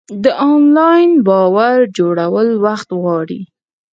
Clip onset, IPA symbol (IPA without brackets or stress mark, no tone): d̪